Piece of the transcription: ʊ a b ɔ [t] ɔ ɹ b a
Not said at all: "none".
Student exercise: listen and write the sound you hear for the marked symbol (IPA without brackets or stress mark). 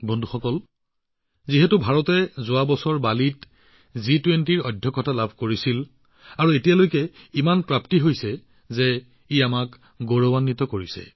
s